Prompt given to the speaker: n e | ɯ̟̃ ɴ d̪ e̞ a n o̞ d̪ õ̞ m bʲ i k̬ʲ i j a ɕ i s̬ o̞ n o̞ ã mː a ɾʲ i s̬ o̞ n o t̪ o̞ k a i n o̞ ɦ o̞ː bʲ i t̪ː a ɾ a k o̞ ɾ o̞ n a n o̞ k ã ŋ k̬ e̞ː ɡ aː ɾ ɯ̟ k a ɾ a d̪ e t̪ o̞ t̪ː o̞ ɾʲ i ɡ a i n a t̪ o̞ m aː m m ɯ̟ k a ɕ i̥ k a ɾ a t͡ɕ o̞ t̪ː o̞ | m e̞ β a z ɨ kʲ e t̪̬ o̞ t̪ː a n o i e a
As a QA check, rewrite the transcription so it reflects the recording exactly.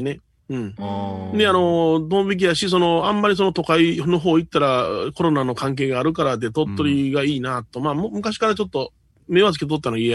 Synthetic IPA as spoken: n e | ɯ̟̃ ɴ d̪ e̞ a n o̞ d̪ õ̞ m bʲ i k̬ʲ i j a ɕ i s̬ o̞ n o̞ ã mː a ɾʲ i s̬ o̞ n o t̪ o̞ k a i n o̞ ɦ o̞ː i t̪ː a ɾ a k o̞ ɾ o̞ n a n o̞ k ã ŋ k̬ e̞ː ɡ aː ɾ ɯ̟ k a ɾ a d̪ e t̪ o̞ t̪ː o̞ ɾʲ i ɡ a iː n a t̪ o̞ m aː m m ɯ̟ k a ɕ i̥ k a ɾ a t͡ɕ o̞ t̪ː o̞ | m e̞ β a z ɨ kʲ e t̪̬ o̞ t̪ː a n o i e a